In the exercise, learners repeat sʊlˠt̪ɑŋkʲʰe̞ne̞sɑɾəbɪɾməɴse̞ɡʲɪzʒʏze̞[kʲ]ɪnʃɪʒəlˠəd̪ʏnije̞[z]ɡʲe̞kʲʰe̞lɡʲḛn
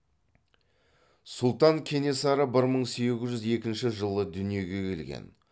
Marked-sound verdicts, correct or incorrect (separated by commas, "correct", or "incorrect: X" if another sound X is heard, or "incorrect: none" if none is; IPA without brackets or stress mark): correct, incorrect: none